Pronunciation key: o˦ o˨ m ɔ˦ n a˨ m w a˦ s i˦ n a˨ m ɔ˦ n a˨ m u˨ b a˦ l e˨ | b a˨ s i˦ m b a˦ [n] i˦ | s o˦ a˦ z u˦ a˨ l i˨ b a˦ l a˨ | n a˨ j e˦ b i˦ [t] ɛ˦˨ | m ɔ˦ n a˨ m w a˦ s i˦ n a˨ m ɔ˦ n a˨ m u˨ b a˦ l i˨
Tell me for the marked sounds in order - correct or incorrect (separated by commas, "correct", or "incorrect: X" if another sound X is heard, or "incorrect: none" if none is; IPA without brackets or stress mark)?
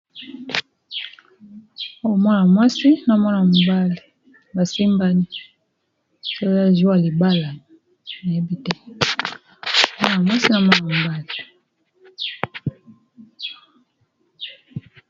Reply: correct, correct